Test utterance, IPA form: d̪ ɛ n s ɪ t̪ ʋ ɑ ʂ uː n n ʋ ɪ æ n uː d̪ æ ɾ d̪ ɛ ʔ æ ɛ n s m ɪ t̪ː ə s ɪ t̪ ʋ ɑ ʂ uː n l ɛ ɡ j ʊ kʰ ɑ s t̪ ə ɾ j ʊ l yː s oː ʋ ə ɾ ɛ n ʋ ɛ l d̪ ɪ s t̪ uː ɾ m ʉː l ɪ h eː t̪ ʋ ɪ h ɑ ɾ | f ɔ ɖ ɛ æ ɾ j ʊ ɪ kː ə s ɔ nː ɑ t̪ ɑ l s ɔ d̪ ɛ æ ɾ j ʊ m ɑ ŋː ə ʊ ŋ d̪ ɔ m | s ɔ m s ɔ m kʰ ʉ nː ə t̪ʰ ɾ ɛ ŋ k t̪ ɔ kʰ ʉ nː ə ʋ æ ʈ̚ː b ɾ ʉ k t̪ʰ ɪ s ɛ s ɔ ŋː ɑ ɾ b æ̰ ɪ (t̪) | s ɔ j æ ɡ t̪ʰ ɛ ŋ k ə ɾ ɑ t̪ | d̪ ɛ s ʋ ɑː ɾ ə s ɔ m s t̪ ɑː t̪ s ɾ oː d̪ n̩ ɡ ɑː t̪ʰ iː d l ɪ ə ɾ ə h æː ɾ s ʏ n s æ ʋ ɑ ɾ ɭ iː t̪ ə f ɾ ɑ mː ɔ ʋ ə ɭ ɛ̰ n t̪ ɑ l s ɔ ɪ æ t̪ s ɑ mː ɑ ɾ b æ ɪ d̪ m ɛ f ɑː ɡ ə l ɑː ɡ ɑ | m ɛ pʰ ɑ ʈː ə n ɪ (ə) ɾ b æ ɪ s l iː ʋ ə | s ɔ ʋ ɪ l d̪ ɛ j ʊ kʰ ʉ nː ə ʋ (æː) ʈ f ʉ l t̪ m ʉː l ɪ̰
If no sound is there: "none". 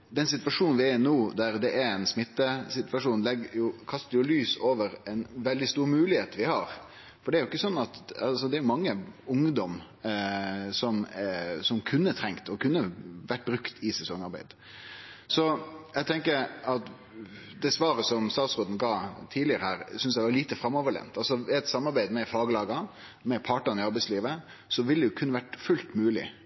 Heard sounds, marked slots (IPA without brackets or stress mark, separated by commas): d̪, ɑ, æ